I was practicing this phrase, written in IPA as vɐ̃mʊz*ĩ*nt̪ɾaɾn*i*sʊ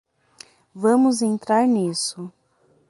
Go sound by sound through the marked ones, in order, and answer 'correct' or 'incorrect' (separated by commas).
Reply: incorrect, correct